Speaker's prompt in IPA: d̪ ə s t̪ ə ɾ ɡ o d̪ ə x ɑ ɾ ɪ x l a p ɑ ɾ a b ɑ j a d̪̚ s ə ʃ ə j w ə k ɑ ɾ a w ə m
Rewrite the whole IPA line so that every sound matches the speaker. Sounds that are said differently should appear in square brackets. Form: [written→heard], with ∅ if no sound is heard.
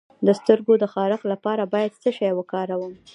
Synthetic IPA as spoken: d̪ ə s t̪ ə ɾ ɡ o d̪ ə x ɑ ɾ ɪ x l a p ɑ ɾ a b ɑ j a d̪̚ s ə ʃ [ə→ɑ] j w ə k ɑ ɾ a w ə m